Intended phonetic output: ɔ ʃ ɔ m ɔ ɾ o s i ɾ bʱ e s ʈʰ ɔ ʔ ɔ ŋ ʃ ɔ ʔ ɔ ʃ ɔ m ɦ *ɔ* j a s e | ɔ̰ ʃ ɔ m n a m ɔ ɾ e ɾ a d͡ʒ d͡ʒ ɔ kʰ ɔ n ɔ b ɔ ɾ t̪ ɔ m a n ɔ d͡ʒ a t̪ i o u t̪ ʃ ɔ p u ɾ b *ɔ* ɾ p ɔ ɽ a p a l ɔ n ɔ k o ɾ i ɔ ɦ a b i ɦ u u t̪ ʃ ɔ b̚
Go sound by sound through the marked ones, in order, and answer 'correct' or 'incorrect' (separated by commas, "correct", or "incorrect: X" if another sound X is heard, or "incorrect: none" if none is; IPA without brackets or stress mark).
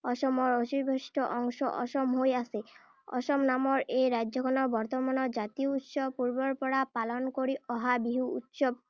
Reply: incorrect: o, correct